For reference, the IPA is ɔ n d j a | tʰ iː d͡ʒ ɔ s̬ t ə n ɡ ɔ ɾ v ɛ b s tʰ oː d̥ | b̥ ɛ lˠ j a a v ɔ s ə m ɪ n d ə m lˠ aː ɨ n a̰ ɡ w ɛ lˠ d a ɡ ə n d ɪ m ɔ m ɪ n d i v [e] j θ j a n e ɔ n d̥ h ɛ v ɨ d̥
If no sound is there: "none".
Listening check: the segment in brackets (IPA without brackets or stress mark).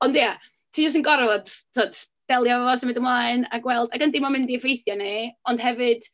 e